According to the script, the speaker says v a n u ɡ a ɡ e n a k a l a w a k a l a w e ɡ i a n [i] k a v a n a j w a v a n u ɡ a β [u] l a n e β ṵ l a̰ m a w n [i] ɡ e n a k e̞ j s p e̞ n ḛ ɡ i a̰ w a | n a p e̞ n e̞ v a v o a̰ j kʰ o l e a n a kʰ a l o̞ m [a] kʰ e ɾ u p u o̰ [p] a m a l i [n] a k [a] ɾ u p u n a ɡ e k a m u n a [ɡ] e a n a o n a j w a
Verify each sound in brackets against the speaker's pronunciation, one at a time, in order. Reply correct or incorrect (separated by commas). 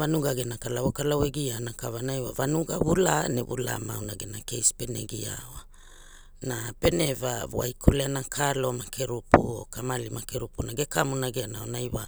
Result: incorrect, correct, incorrect, correct, incorrect, incorrect, incorrect, correct